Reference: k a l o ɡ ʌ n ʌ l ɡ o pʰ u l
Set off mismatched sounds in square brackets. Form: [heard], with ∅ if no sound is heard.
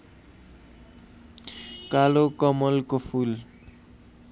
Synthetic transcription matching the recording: k a l o [k] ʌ [m] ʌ l [k] o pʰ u l